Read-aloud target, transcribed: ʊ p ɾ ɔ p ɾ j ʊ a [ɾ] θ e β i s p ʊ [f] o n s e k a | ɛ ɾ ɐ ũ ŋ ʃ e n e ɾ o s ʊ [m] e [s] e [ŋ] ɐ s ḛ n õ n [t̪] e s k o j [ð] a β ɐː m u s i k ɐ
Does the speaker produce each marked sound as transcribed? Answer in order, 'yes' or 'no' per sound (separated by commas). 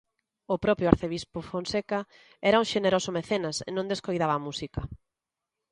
yes, yes, yes, no, no, no, yes